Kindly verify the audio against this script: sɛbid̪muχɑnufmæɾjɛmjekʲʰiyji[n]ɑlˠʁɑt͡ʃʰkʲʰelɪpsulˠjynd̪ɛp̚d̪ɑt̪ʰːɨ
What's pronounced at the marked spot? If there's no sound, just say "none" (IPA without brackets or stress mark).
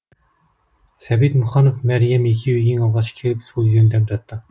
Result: ŋ